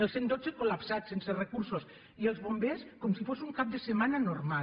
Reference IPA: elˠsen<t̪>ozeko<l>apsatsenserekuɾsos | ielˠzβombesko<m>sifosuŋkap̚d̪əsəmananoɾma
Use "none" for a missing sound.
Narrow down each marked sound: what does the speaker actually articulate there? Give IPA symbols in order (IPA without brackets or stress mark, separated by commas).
d̪, l, m